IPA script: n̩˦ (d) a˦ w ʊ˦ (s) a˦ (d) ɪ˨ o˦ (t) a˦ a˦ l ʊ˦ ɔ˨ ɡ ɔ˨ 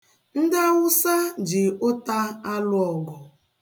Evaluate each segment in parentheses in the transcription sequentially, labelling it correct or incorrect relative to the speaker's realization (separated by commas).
correct, correct, incorrect, correct